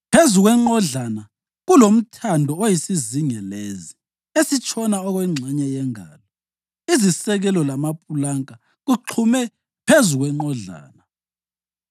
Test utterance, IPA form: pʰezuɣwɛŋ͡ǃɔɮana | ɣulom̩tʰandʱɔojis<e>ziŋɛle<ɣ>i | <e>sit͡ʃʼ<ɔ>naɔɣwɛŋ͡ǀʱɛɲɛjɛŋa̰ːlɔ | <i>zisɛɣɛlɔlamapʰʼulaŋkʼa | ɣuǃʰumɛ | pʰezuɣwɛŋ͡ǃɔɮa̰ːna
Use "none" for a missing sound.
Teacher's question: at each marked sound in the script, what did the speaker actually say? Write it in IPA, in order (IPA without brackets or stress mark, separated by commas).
i, z, e, ɔ, i